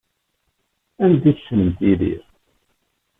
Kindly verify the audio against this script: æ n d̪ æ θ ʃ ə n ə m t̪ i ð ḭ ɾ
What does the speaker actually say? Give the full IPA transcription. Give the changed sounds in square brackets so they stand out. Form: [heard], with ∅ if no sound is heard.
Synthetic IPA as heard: æ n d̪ [i] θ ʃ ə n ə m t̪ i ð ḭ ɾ